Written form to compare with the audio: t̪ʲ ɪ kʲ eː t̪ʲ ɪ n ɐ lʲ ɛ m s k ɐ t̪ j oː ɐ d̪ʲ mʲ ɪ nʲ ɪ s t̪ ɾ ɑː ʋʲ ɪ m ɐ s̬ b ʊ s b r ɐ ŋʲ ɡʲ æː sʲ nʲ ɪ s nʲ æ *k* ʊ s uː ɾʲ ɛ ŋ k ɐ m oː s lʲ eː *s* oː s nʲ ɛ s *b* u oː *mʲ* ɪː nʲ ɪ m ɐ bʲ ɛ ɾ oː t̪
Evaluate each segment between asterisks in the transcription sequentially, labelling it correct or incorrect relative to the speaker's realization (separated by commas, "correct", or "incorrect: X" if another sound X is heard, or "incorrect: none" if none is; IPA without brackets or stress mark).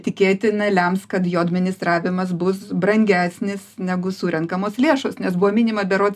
incorrect: ɡ, incorrect: ʃ, correct, correct